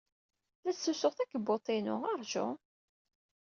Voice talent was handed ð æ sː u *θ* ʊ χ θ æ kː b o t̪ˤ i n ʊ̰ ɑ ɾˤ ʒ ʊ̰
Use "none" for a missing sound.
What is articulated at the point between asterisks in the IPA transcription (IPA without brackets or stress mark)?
s